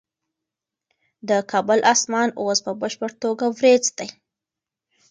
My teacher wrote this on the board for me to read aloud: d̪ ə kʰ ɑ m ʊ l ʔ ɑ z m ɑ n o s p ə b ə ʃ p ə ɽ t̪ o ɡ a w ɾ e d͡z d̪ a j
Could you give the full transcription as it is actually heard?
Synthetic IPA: d̪ ə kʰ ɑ b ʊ l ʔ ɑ s m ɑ n o s p ə b ə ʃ p ə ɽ t̪ o ɡ a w ɾ e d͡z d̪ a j